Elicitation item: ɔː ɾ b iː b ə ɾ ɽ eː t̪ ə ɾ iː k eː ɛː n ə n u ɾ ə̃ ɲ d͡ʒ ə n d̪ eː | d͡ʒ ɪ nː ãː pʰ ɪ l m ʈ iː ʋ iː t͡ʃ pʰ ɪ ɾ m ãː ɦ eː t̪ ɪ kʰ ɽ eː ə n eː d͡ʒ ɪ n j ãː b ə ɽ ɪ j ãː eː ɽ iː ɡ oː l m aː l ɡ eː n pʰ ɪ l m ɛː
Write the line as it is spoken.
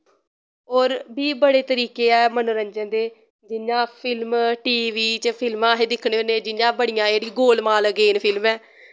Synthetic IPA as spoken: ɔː ɾ b iː b ə ɽ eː t̪ ə ɾ iː k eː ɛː m ə n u ɾ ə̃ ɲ d͡ʒ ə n d̪ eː | d͡ʒ ɪ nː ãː pʰ ɪ l m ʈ iː ʋ iː t͡ʃ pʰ ɪ l m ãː ɦ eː d̪ ɪ kʰ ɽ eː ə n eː d͡ʒ ɪ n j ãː b ə ɽ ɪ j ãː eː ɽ iː ɡ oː l m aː l ɡ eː n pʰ ɪ l m ɛː